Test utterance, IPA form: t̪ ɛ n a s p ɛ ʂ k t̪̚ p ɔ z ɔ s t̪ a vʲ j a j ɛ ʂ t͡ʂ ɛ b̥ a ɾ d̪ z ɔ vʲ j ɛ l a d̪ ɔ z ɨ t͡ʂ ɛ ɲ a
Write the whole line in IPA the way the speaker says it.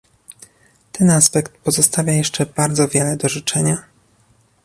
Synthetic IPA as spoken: t̪ ɛ n a s p ɛ k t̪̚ p ɔ z ɔ s t̪ a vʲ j a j ɛ ʂ t͡ʂ ɛ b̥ a ɾ d̪ z ɔ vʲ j ɛ l ɛ d̪ ɔ ʐ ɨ t͡ʂ ɛ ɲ a